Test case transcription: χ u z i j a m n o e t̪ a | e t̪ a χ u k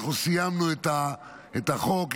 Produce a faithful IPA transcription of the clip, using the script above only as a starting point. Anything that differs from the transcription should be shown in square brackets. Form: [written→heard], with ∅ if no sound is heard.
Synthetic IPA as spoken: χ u [z→s] i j a m n [o→u] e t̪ a | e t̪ a χ [u→o] k

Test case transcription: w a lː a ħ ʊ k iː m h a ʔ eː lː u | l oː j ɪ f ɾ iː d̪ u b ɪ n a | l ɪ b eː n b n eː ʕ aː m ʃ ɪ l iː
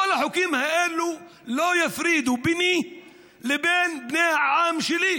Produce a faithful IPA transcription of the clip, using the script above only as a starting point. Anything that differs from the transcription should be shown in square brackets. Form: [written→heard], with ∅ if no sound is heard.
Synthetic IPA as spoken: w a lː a ħ ʊ k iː m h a ʔ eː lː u | l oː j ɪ f ɾ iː d̪ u b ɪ n [a→i] | l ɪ b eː n b n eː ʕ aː m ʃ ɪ l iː

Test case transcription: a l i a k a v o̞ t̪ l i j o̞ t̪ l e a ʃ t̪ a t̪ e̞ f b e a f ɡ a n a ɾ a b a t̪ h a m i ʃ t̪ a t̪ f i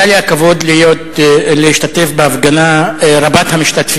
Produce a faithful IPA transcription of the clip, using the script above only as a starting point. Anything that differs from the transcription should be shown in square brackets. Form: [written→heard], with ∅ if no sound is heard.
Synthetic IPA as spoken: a l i a k a v o̞ [t̪→d̪] l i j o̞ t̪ l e [a→i] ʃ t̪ a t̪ e̞ f b e a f ɡ a n a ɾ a b a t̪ h a m i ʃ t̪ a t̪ f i

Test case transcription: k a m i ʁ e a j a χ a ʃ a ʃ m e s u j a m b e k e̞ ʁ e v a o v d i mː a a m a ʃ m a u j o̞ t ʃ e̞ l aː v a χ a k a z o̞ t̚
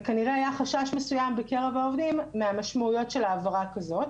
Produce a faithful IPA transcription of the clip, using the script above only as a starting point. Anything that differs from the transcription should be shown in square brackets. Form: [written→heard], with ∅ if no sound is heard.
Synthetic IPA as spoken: k a [m→n] i ʁ e a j a χ a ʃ a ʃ m e s u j a m b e k e̞ ʁ e v a o v d i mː [a→e] a m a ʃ m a u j o̞ t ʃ e̞ l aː v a [χ→ʁ] a k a z o̞ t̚

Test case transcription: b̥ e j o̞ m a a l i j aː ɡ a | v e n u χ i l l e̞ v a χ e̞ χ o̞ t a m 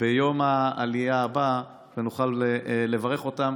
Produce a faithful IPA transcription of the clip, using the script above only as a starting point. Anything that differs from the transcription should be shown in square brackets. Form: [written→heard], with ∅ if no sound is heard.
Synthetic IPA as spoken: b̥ e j o̞ m a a l i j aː [ɡ→b] a | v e n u χ [i→a] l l e̞ v a [χ→ʁ] e̞ χ o̞ t a m

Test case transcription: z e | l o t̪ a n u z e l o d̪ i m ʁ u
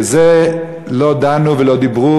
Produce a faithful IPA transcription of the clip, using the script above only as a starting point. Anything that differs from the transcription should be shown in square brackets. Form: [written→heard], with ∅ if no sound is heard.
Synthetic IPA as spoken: z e | l o [t̪→d̪] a n u [z→v] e l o d̪ i [m→b] ʁ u

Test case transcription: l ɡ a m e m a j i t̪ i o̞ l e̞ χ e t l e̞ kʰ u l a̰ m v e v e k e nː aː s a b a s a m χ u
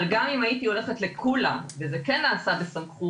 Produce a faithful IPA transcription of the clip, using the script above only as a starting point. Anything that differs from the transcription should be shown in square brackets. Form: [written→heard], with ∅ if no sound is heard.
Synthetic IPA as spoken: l ɡ a m [e→i] m a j i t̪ i o̞ l e̞ χ e t l e̞ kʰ u l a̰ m v e [v→z] e k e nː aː s a b [a→e] s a m χ u

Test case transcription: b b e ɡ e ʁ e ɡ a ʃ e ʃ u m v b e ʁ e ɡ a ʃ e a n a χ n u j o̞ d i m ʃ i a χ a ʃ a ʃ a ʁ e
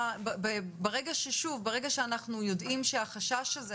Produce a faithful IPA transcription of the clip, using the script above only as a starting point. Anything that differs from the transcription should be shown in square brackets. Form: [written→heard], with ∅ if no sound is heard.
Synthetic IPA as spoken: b b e [ɡ→b] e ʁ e ɡ a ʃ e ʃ u [m→∅] v b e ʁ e ɡ a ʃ e a n a χ n u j o̞ d i m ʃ [i→e] a χ a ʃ a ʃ a [ʁ→z] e

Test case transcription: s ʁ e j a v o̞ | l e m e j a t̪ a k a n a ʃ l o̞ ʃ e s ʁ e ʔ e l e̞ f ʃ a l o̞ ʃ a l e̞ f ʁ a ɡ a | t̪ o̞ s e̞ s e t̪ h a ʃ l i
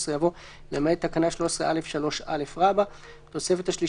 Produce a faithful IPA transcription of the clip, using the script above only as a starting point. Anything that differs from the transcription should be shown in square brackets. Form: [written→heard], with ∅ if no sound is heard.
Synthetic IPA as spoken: s ʁ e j a v o̞ | l e m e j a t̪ a k a n a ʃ l o̞ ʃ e s ʁ e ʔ [e→a] l e̞ f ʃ a l o̞ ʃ a l e̞ f ʁ a [ɡ→b] a | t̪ o̞ s e̞ [s→f] e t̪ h a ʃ l i

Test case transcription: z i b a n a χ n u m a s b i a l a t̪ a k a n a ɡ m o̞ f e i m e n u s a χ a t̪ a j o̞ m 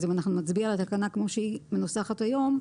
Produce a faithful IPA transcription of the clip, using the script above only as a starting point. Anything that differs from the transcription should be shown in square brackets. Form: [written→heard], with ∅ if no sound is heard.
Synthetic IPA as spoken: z i [b→m] a n a χ n u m a [s→t͡s] b i a l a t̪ a k a n a [ɡ→k] m o̞ [f→ʃ] e i m e n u s a χ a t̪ a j o̞ m

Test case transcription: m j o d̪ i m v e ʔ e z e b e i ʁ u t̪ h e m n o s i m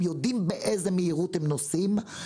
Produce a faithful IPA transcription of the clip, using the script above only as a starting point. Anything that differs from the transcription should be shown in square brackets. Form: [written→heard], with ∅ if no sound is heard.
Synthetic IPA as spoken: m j o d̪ i m [v→b] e ʔ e z e [b→m] e i ʁ u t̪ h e m n o s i m

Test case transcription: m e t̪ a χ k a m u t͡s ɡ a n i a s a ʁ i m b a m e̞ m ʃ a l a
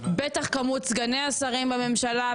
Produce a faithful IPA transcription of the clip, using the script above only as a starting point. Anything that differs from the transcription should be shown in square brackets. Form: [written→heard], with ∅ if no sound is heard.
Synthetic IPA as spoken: [m→b] e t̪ a χ k a m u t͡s ɡ a n [i→e] a s a ʁ i m b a m e̞ m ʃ a l a

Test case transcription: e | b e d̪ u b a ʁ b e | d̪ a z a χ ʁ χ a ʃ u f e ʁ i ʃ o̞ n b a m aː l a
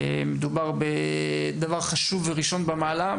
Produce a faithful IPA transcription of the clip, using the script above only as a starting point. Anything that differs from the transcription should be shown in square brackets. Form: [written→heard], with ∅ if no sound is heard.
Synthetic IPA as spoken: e | [b→m] e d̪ u b a ʁ b e | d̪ a [z→v] a [χ→∅] ʁ χ a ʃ u [f→v] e ʁ i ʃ o̞ n b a m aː l a

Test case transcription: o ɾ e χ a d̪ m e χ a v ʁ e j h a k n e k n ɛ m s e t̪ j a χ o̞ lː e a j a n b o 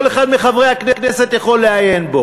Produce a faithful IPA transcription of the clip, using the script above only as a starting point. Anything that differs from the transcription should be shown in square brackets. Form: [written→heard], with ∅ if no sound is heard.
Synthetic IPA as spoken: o [ɾ→l] e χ a d̪ m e χ a v ʁ e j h a k n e k n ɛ [m→∅] s e t̪ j a χ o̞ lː e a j [a→e] n b o

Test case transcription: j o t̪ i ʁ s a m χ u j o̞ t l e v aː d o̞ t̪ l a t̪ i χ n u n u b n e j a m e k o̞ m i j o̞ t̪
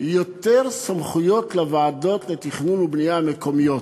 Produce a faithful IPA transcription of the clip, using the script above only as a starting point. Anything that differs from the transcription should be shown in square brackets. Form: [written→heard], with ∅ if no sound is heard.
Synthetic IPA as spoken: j o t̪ [i→e] ʁ s a m χ u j o̞ t l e v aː d o̞ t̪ l [a→e] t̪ i χ n u n u b n [e→i] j a m e k o̞ m i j o̞ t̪

